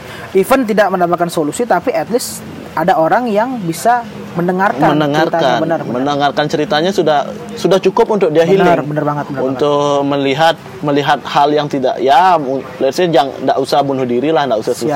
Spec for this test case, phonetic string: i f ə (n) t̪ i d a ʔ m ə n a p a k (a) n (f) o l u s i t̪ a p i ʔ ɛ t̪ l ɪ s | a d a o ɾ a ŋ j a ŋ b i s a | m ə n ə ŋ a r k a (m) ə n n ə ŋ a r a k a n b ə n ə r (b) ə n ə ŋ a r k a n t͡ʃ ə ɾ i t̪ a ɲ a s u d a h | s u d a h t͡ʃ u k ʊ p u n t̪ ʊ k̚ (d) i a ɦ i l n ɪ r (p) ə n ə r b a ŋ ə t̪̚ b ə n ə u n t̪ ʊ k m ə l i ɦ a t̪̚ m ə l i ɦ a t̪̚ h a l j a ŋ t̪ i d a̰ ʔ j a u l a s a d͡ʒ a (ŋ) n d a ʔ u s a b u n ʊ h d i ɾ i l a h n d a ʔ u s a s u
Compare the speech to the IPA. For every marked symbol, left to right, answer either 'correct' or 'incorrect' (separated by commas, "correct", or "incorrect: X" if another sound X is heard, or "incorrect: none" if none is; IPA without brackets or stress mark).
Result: correct, correct, incorrect: s, correct, incorrect: m, correct, incorrect: b, correct